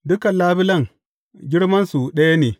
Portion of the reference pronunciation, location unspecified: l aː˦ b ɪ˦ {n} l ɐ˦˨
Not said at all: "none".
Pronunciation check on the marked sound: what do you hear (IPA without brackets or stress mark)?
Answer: none